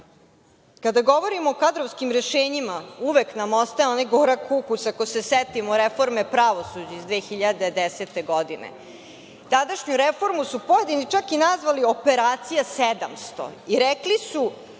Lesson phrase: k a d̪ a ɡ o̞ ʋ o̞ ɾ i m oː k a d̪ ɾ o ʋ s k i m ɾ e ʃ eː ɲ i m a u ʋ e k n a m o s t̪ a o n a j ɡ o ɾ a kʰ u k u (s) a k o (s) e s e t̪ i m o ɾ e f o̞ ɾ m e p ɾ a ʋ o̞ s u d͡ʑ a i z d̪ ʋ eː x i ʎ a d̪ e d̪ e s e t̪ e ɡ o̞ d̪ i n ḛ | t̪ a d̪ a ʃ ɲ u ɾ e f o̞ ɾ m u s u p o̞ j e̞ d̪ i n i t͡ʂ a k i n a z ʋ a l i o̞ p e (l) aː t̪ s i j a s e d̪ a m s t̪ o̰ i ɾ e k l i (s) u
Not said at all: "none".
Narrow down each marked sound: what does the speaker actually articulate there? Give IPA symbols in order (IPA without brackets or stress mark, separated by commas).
s, s, ɾ, s